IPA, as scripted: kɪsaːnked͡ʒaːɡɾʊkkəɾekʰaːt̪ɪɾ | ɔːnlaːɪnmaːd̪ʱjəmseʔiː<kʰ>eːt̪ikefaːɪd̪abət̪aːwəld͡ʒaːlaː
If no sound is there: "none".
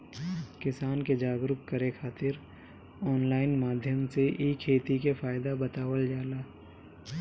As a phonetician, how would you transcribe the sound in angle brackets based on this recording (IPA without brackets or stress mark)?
kʰ